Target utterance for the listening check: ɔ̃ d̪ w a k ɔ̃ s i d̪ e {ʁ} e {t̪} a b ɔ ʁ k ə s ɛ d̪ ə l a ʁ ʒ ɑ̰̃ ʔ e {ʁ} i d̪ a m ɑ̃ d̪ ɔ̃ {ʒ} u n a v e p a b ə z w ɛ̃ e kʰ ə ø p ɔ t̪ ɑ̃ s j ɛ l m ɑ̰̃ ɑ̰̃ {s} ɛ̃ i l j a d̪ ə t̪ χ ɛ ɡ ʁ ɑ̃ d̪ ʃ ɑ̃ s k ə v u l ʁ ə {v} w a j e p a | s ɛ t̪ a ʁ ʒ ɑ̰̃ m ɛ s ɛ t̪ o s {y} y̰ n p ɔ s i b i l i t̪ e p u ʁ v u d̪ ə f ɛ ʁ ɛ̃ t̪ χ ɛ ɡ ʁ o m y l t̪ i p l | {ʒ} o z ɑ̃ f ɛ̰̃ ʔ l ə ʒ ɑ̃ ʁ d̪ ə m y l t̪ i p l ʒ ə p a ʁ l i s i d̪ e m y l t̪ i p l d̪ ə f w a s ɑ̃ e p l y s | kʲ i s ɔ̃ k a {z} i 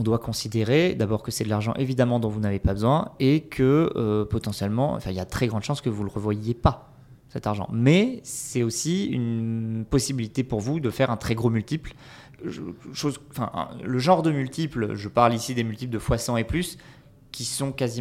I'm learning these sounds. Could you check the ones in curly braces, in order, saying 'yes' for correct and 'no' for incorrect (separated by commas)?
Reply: yes, no, no, no, no, yes, no, no, yes